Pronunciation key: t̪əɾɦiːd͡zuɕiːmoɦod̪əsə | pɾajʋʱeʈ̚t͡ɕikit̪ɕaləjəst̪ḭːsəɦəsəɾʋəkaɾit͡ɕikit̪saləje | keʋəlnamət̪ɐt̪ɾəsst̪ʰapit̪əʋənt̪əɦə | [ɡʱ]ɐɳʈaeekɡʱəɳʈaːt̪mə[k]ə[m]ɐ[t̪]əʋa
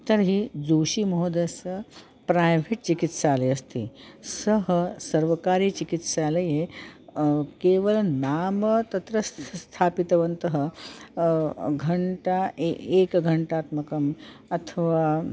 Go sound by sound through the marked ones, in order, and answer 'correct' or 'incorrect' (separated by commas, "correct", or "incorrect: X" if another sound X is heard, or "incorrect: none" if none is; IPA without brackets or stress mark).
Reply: correct, correct, correct, incorrect: t̪ʰ